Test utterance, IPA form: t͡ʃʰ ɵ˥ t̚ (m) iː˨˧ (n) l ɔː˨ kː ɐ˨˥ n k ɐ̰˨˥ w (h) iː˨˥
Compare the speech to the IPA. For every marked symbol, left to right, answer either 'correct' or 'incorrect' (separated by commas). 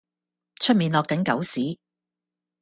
correct, correct, incorrect